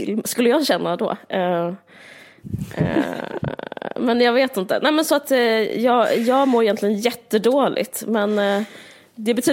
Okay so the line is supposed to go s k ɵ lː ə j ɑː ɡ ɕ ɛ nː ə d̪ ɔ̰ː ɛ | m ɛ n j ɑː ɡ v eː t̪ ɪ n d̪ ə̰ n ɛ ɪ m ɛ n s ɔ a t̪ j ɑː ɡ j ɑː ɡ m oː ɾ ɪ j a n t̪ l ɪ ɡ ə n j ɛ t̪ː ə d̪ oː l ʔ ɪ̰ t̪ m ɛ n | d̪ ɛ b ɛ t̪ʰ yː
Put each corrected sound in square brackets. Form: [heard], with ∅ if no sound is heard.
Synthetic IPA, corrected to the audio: s k ɵ lː ə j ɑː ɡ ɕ ɛ nː [a] d̪ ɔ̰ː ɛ | m ɛ n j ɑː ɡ v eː t̪ ɪ n [t̪] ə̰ n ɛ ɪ m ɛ n s ɔ a t̪ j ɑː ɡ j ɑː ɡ m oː ɾ ɪ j [ɛ] n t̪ l ɪ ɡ ə n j ɛ t̪ː ə d̪ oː l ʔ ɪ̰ t̪ m ɛ n | d̪ ɛ b ɛ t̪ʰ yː